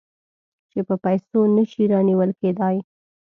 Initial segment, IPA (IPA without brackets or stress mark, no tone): t͡ʃ